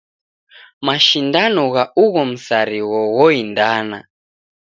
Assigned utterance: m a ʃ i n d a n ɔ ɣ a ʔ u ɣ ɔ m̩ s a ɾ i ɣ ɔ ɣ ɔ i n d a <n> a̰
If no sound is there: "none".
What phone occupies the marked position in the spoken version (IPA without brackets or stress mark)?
n